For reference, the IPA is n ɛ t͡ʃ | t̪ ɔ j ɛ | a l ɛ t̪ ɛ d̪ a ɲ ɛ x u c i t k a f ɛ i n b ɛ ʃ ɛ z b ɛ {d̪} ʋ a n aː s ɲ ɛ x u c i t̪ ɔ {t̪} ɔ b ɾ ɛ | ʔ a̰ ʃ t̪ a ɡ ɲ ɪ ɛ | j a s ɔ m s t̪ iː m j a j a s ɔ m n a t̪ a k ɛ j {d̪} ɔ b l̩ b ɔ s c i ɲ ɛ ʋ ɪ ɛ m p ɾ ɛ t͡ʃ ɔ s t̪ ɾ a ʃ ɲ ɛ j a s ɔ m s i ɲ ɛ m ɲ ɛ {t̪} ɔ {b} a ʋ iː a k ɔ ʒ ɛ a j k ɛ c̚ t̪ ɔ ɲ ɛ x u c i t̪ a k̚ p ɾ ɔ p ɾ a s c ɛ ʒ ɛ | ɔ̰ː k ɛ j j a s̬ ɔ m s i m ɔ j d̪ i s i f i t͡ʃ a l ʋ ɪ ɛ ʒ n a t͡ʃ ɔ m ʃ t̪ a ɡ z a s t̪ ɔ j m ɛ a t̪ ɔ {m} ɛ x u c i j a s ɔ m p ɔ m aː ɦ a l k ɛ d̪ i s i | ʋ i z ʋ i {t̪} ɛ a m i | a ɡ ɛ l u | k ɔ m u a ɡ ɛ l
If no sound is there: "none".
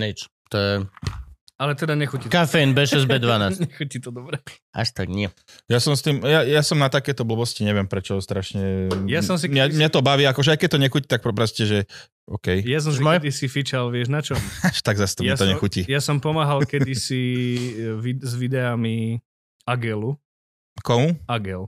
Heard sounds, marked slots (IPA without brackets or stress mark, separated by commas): d̪, d̪, t̪, t̪, b, ɲ, d̪